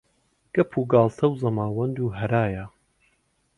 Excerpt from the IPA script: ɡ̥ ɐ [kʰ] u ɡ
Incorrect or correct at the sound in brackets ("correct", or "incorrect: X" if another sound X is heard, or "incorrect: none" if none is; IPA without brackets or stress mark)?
incorrect: pʰ